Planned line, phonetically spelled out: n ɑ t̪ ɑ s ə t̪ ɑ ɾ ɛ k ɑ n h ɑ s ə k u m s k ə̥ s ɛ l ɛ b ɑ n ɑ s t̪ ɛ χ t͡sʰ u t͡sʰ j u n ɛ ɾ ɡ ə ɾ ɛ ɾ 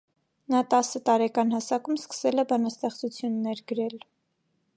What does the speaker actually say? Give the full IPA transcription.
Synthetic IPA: n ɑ t̪ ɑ s ə t̪ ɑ ɾ ɛ k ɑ n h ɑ s ɑ k u m s k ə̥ s ɛ l ɛ b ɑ n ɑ s t̪ ɛ χ t͡s u t͡sʰ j u nː ɛ ɾ ɡ ə ɾ ɛ l